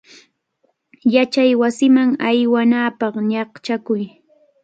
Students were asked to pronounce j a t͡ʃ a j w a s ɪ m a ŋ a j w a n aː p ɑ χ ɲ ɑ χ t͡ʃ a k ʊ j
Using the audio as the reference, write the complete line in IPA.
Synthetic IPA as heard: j a t͡ʃ a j w a s ɪ m a ŋ a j w a n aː p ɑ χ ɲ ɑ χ t͡ʃ a k ʊ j